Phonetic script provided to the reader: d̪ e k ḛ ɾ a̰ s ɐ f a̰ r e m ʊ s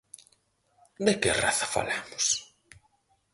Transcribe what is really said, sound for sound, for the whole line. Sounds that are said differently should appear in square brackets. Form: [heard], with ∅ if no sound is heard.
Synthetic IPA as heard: d̪ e k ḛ [r] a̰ [θ] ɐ f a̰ [l] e m ʊ s